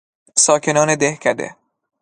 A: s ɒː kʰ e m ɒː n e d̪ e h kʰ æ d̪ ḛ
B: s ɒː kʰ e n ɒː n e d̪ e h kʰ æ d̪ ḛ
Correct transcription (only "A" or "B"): B